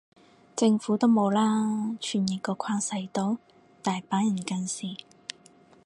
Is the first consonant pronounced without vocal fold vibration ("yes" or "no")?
yes